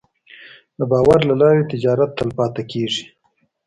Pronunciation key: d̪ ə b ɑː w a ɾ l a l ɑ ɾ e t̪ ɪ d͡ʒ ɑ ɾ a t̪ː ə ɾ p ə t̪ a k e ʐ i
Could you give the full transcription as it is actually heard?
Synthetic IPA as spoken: d̪ ə b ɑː w a ɾ l a l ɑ ɾ e t̪ ɪ d͡ʒ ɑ ɾ a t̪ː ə l p ɑ t̪ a k e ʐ i